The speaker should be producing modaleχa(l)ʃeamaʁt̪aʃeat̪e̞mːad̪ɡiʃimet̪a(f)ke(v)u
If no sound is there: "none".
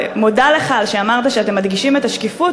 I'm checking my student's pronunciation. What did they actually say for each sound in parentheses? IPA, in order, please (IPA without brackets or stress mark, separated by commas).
l, ʃ, f